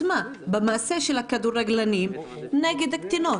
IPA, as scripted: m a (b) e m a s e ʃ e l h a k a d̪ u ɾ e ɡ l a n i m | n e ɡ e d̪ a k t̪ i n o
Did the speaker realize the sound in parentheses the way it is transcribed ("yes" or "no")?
yes